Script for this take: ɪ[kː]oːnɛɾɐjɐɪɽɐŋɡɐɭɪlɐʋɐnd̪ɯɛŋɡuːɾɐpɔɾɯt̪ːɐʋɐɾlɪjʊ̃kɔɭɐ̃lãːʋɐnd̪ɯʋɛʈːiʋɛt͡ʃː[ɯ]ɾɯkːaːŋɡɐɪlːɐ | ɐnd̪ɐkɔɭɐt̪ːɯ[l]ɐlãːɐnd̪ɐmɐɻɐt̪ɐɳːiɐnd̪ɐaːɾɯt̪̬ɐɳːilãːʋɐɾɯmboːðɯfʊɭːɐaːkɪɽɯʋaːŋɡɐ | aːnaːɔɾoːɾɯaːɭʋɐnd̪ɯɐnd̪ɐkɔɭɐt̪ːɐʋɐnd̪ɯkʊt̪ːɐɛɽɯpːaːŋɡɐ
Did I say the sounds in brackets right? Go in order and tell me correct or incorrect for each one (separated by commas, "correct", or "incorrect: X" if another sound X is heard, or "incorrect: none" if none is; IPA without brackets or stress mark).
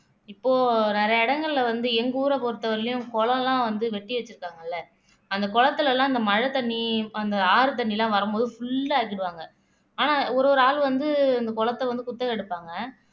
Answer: incorrect: pː, correct, correct